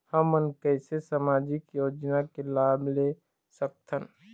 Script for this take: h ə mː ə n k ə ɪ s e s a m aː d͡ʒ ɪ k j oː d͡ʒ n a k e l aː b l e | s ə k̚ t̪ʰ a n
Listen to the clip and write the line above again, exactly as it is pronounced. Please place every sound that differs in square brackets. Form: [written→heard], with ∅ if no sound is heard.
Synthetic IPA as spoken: h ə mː ə n k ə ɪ s e s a m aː d͡ʒ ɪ k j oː d͡ʒ n a k e l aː b l e | s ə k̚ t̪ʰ [a→ə] n